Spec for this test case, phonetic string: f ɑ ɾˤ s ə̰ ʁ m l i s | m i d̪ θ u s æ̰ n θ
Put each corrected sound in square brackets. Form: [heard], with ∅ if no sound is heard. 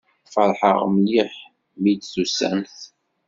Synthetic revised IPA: f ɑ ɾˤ [ħ] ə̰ ʁ m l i [ħ] | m i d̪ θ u s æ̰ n θ